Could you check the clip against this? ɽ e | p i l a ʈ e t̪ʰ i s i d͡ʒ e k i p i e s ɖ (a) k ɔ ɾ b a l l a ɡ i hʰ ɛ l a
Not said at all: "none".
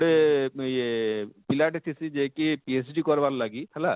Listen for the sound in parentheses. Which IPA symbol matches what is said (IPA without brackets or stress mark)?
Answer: i